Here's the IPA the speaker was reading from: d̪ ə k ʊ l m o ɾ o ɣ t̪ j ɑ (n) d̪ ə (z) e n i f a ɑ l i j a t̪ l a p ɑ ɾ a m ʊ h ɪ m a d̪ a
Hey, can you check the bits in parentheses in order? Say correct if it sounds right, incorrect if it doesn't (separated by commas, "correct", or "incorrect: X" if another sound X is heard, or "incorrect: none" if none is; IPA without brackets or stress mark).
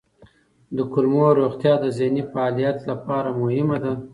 incorrect: none, correct